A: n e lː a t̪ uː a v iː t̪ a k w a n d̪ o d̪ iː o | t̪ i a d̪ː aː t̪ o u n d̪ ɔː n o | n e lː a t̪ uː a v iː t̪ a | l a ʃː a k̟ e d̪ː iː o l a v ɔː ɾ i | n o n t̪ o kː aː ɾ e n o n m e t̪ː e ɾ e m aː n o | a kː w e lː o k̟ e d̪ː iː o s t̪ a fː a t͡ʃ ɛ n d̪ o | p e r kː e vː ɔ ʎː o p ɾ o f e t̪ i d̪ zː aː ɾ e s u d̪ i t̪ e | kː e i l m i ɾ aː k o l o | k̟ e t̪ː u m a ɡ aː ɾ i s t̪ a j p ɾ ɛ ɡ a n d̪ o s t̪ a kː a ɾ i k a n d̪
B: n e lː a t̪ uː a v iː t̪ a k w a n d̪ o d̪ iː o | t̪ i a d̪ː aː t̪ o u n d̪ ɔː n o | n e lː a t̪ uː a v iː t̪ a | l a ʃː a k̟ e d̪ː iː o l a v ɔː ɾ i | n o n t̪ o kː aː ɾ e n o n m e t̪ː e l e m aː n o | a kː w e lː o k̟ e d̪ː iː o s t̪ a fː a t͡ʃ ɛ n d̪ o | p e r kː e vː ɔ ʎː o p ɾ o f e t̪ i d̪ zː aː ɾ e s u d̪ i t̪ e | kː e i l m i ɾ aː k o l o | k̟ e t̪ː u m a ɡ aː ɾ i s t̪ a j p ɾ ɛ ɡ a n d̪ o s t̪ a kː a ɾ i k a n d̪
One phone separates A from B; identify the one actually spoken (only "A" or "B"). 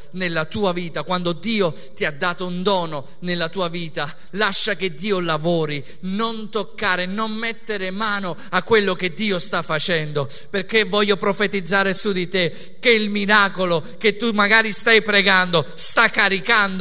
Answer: A